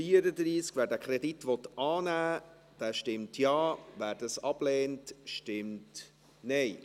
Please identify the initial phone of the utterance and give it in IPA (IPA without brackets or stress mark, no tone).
f